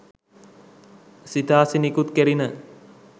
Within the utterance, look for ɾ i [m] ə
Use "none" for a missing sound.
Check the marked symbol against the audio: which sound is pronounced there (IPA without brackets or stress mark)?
n